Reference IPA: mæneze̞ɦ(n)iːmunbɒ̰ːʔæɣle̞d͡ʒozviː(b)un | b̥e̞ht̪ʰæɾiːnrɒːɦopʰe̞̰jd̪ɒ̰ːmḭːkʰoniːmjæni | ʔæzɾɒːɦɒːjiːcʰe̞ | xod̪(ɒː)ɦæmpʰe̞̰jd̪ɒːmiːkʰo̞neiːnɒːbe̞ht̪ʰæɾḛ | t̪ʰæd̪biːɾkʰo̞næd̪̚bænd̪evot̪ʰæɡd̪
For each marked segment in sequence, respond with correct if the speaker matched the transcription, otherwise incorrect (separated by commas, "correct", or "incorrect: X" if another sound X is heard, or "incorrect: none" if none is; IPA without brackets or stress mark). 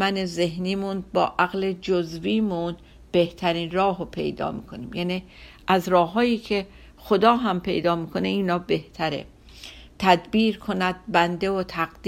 correct, incorrect: m, correct